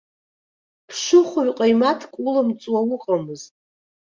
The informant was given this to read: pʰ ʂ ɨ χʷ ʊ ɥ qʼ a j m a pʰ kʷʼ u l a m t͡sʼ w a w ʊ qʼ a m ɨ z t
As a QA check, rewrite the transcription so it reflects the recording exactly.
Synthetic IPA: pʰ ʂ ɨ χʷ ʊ ɥ qʼ a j m a tʰ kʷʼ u l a m t͡sʼ w a w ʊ qʼ a m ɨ z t